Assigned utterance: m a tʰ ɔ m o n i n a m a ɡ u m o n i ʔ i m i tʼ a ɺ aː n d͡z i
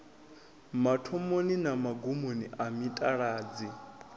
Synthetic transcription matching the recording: m a tʰ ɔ m o n i n a m a ɡ u m o n i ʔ a m i tʼ a ɺ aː d͡z i